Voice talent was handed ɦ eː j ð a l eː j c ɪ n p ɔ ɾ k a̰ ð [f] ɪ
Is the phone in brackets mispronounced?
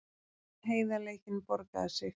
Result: yes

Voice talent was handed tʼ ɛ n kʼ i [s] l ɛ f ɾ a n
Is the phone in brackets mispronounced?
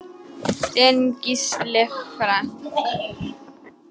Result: no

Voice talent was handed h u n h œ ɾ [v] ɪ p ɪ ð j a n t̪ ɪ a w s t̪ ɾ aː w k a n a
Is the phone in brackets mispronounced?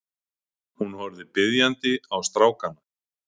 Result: yes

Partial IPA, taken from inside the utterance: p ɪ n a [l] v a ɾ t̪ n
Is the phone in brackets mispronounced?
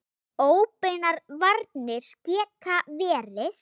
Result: yes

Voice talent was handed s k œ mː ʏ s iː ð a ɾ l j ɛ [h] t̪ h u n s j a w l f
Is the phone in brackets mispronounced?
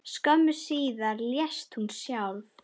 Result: yes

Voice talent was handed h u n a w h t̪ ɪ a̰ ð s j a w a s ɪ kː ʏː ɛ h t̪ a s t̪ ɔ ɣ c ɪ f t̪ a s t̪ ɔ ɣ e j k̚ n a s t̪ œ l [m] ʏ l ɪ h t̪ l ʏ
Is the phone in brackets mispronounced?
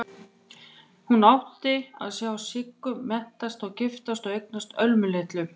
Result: no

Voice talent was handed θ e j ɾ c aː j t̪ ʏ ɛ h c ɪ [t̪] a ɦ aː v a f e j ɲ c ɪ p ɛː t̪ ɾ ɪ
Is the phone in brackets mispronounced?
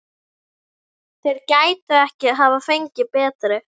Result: yes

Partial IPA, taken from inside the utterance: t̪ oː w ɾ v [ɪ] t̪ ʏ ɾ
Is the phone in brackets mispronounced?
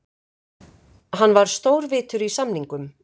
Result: yes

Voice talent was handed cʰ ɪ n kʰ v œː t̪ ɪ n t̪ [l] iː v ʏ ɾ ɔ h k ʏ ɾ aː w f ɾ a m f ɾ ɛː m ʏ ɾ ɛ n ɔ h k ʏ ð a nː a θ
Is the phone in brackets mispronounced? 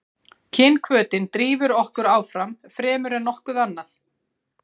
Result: yes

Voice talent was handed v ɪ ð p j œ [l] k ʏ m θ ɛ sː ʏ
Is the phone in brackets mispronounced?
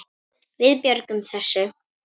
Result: yes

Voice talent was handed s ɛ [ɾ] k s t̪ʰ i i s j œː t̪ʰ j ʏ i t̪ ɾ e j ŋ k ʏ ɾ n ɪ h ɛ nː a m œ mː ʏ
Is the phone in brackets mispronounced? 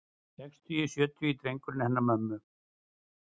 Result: yes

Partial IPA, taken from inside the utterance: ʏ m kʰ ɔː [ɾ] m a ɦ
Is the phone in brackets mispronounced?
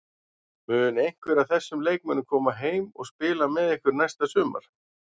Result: yes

